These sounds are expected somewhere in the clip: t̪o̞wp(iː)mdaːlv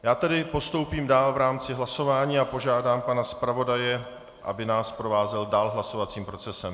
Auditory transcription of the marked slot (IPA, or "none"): iː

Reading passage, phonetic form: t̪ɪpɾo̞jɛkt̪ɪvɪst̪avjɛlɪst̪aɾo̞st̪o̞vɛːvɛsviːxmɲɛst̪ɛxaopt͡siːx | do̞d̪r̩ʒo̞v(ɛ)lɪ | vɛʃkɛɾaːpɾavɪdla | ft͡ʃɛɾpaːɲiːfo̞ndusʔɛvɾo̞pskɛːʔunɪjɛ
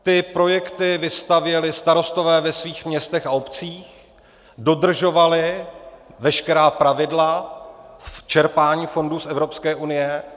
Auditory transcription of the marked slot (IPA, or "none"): a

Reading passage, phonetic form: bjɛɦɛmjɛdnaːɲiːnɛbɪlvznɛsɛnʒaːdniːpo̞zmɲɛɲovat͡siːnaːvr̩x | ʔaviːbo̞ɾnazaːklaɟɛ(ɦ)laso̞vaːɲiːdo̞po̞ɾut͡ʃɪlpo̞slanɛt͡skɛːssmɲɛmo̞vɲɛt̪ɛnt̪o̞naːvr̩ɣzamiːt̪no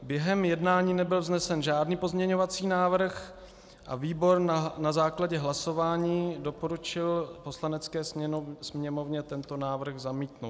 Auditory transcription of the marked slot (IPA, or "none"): ɦ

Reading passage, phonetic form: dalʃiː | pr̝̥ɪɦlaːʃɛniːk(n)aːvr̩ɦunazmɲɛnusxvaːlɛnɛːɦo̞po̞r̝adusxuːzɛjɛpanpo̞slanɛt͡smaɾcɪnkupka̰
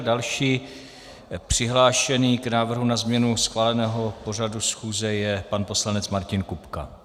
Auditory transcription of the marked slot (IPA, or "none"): n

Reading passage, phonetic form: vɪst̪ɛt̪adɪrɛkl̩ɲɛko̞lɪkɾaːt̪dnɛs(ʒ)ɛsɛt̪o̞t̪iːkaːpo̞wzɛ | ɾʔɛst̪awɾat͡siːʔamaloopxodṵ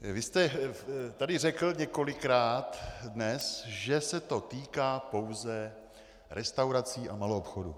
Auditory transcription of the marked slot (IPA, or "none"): ʒ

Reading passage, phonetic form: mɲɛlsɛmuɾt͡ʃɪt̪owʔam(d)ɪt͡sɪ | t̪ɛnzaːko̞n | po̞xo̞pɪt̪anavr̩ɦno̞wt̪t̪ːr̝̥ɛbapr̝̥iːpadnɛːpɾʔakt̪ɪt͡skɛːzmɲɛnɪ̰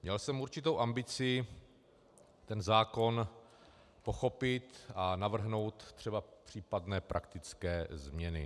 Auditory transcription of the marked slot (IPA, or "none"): b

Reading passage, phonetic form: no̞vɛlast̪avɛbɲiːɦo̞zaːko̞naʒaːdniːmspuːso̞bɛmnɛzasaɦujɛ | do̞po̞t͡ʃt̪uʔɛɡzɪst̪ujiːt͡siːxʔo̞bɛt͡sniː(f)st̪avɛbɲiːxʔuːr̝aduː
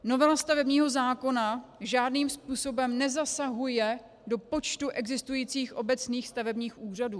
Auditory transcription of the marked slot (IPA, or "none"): x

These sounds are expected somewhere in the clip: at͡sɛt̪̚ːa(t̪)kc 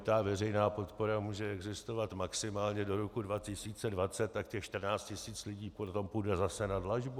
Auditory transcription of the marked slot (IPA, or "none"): none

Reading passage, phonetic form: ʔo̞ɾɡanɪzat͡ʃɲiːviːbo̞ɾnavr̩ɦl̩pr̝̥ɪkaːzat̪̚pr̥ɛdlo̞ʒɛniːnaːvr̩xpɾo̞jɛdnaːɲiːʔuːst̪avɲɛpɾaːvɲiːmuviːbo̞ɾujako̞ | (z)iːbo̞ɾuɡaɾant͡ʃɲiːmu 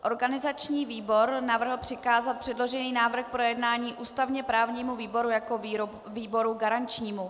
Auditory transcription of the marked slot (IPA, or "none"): v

